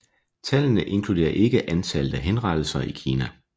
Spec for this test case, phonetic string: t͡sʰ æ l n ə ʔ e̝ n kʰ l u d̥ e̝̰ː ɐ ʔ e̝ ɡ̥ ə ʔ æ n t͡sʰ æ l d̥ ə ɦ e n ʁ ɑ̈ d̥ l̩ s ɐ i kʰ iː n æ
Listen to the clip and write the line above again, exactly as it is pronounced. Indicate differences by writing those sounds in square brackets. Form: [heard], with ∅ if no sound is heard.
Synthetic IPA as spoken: t͡sʰ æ l n ə ʔ e̝ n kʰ l u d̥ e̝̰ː ɐ ʔ e̝ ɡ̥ ə ʔ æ n t͡sʰ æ l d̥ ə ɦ e n ʁ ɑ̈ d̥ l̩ s ɐ i kʰ iː n æ